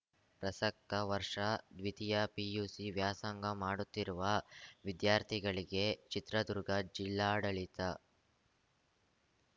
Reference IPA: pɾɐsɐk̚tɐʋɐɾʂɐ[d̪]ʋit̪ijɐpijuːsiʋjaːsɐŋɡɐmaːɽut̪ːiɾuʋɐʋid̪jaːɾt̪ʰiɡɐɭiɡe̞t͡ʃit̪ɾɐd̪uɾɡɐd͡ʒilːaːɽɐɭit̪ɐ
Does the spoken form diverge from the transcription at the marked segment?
no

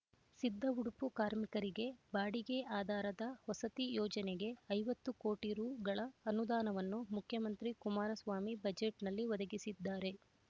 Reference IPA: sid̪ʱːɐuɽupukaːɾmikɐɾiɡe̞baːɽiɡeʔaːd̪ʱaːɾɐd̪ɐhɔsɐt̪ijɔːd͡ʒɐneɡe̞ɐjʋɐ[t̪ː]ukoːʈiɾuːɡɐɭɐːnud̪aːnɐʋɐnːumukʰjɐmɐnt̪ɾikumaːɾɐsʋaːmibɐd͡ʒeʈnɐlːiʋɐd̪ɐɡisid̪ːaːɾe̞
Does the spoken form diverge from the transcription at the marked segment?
no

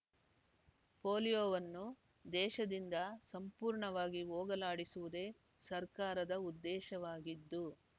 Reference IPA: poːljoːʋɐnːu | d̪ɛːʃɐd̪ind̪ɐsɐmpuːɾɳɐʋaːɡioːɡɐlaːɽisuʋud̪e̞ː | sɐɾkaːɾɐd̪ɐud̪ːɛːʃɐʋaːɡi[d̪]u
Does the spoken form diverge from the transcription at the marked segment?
yes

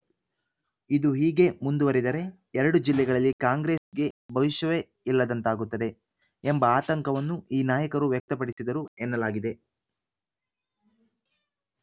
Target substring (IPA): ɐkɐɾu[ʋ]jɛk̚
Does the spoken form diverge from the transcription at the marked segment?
no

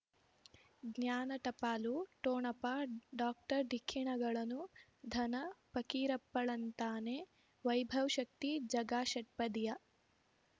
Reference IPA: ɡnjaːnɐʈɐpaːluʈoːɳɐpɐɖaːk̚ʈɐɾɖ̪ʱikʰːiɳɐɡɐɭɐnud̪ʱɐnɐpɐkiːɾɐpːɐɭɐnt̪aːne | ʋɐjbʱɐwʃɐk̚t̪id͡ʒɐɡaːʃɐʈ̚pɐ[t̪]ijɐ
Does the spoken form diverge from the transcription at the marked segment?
yes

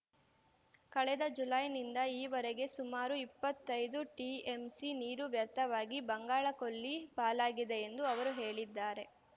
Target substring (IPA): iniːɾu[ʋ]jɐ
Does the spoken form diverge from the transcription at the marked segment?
no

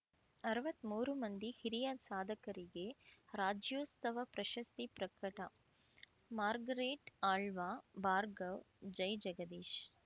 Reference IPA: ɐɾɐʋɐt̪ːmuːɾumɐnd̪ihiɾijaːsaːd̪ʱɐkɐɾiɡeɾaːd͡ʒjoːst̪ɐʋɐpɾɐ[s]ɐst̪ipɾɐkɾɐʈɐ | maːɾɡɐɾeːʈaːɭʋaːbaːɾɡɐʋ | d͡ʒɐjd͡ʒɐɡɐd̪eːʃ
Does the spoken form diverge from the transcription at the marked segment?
yes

